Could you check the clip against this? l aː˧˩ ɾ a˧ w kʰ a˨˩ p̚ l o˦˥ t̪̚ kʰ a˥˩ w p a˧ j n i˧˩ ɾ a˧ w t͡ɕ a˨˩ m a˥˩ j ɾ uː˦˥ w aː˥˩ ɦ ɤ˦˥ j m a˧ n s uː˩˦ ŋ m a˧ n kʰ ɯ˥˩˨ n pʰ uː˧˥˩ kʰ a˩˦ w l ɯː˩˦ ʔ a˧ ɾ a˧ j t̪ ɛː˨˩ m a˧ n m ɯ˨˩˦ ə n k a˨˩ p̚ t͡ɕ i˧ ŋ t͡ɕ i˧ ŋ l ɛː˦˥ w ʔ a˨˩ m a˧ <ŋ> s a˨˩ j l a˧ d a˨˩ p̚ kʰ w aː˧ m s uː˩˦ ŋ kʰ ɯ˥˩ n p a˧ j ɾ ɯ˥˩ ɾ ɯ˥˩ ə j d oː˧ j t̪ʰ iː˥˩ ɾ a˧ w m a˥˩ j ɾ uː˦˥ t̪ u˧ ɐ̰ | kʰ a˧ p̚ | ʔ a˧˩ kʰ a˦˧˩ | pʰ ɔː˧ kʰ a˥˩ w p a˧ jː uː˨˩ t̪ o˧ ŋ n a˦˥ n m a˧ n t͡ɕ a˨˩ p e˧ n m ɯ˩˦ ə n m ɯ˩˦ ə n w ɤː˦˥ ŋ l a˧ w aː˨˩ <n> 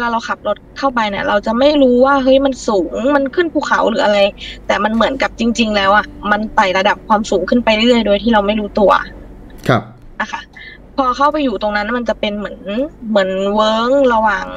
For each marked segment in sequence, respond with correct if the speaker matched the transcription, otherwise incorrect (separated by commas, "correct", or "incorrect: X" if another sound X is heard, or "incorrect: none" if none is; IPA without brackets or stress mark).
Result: incorrect: n, incorrect: ŋ